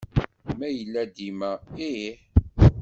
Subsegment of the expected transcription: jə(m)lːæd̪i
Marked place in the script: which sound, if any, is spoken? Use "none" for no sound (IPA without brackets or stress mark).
none